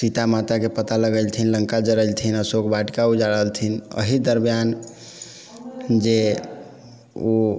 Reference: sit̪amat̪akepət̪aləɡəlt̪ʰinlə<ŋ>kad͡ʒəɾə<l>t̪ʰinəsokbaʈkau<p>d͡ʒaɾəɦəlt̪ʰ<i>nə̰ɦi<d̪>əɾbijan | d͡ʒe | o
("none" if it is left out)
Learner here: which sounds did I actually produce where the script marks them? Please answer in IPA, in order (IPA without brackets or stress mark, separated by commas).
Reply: ŋ, l, none, i, d̪